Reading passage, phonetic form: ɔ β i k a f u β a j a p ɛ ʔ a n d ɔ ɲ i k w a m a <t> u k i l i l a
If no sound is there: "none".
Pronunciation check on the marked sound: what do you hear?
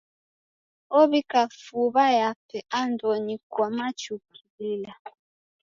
t͡ʃ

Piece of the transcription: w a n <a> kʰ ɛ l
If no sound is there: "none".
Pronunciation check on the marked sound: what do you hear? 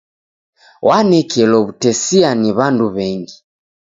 ɛ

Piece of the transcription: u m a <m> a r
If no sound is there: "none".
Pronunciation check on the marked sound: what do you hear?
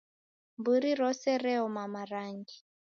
m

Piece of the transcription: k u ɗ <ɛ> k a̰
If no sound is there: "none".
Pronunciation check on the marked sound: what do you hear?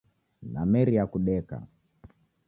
ɛ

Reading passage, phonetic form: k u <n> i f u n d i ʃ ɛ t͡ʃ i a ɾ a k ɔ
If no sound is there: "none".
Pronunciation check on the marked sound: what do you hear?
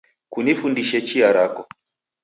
n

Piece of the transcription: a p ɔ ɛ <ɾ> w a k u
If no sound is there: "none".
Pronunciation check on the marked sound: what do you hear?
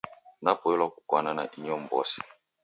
l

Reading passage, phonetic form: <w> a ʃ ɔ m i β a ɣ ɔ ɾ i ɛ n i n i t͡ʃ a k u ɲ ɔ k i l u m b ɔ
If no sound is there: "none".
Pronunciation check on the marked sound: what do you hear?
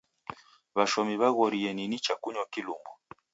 β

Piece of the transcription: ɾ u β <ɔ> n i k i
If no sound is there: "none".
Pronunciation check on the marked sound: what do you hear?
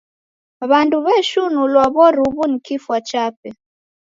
u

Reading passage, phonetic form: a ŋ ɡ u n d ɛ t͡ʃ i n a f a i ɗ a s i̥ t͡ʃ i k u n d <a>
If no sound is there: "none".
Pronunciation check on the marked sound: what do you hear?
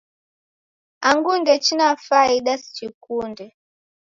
ɛ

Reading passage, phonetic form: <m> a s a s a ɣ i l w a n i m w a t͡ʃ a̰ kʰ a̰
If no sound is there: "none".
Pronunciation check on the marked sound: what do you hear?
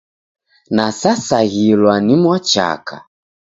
n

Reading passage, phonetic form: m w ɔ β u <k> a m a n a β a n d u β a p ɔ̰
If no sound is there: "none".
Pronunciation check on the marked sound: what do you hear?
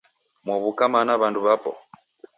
k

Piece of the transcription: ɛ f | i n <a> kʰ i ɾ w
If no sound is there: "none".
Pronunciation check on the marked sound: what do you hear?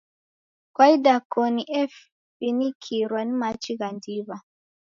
i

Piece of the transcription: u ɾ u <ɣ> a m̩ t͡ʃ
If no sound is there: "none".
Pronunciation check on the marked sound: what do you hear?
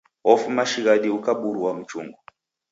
w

